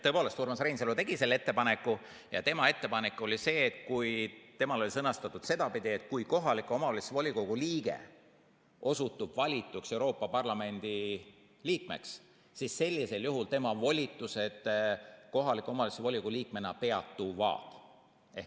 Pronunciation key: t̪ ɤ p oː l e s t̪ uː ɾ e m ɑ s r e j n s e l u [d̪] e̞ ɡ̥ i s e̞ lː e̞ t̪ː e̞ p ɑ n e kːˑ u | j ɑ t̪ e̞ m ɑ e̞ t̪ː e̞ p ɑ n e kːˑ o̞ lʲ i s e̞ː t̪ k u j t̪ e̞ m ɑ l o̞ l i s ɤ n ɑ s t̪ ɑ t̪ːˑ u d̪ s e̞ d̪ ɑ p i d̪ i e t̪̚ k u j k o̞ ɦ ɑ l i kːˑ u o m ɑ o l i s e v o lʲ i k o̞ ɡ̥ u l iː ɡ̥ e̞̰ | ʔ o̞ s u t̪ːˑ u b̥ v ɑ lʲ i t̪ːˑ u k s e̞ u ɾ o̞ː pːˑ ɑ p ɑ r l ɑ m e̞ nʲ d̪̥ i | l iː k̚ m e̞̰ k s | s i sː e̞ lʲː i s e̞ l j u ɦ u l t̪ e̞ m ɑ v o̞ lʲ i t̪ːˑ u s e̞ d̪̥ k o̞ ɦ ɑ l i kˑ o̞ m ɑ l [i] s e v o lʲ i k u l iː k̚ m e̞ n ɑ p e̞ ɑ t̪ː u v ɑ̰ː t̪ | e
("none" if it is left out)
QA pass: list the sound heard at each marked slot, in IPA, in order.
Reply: t̪, i

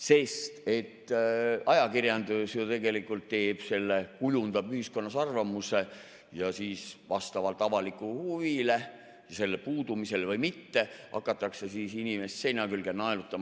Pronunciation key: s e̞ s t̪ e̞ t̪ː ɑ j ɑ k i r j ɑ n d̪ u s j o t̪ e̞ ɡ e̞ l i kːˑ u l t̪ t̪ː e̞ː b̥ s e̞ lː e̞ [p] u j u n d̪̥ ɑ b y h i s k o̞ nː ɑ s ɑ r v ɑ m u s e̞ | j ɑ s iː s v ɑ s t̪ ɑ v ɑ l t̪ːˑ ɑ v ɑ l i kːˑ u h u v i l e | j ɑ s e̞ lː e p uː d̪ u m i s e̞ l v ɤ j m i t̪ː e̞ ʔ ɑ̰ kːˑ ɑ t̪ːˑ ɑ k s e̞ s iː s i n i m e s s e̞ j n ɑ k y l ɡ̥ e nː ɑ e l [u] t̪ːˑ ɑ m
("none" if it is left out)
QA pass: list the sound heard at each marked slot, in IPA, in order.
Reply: k, u

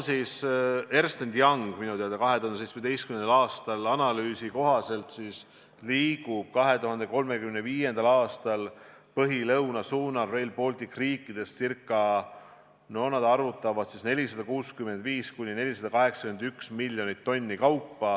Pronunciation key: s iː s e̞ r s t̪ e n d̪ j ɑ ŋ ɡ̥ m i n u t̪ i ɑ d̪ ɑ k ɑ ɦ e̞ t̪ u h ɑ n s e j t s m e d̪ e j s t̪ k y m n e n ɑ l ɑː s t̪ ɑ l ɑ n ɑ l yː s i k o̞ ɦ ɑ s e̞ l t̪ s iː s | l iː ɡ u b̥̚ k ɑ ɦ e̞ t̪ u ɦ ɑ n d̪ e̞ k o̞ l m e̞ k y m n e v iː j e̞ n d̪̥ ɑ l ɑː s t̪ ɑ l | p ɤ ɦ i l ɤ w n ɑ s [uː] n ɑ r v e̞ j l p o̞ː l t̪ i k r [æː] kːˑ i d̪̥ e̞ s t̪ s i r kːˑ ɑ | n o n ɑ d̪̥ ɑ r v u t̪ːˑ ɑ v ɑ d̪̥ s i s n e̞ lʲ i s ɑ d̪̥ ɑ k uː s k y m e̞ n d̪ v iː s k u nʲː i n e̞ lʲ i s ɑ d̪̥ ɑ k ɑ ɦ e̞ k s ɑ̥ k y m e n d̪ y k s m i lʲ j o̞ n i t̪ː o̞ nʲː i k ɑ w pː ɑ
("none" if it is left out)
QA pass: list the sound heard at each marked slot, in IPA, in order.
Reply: uː, iː

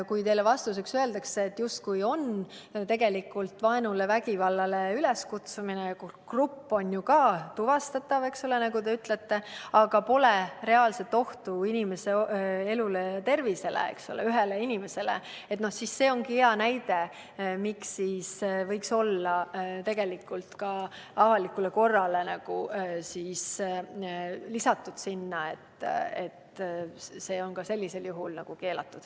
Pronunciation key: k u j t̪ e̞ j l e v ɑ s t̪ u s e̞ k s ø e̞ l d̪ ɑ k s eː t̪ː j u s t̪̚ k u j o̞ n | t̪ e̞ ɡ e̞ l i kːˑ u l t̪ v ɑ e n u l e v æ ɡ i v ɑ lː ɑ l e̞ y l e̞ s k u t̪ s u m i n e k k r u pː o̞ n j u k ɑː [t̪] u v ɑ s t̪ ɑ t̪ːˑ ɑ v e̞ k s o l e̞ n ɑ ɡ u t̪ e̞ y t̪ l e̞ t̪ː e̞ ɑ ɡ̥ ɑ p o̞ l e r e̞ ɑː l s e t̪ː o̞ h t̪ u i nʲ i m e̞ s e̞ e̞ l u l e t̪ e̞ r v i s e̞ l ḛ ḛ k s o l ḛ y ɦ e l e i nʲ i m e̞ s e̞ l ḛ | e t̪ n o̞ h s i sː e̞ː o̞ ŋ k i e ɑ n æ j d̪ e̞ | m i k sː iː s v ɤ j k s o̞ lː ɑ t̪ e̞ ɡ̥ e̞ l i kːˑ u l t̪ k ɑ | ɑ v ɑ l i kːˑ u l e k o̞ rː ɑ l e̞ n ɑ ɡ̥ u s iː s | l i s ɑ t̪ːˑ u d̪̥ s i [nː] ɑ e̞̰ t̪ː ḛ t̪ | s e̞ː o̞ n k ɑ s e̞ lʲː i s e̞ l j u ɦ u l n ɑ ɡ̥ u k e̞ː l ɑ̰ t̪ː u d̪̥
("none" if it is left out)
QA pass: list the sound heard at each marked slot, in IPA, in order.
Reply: t̪, nː

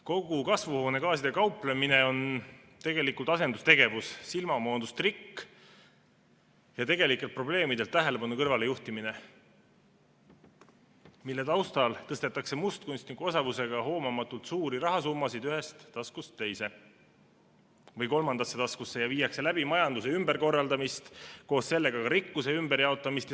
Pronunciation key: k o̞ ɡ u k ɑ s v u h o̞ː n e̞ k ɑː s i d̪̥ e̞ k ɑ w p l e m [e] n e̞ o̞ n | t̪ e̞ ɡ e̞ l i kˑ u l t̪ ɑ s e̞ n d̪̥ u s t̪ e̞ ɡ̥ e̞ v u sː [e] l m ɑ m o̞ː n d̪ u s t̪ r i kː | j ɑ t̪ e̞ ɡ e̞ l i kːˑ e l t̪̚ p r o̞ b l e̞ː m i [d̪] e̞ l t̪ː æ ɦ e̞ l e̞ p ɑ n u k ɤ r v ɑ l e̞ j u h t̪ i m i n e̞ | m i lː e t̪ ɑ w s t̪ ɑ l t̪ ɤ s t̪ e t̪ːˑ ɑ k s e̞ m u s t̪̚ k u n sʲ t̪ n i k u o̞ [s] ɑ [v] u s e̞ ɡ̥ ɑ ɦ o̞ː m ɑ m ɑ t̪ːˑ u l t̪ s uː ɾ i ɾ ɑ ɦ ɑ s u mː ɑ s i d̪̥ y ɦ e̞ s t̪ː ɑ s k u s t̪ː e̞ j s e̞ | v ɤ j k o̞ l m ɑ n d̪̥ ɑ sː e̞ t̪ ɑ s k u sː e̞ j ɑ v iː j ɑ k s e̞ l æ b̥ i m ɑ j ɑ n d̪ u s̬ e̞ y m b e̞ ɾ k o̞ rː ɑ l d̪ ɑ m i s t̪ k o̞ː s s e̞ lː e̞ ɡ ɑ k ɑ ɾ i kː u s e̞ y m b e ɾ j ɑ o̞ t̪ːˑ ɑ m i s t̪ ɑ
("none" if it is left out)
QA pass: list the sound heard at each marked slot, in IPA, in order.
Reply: i, i, d̪, s, v

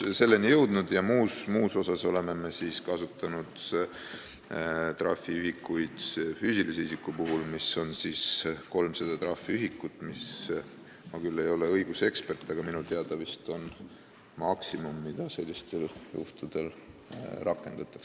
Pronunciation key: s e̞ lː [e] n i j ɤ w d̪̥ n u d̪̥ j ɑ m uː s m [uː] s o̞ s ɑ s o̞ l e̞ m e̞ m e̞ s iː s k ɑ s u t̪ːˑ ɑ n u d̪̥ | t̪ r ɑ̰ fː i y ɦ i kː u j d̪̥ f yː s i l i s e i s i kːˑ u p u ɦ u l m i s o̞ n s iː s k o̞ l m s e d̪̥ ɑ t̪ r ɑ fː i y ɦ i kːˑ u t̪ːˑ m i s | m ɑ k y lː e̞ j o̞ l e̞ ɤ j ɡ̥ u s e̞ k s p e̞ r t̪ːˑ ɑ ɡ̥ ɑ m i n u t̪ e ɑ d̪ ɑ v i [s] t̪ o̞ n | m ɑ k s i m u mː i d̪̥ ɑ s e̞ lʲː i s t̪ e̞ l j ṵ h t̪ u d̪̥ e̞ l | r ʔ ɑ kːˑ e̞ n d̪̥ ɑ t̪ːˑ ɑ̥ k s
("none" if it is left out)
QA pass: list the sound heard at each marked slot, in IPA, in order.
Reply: e, uː, s

